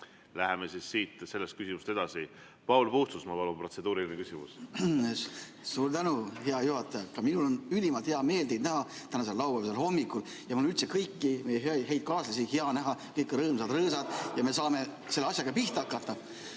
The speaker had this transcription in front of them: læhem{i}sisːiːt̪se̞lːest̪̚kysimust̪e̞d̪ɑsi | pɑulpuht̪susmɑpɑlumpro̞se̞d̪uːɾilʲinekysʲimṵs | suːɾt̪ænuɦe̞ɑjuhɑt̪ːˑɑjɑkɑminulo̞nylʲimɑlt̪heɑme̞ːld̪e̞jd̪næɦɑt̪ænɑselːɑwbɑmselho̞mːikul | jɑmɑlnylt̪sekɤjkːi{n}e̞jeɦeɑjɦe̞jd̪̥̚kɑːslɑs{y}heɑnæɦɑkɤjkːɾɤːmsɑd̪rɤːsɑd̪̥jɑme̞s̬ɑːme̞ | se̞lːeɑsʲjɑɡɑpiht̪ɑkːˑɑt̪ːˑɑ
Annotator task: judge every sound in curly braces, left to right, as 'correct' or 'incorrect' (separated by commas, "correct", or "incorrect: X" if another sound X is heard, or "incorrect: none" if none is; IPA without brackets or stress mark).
incorrect: e, incorrect: m, incorrect: i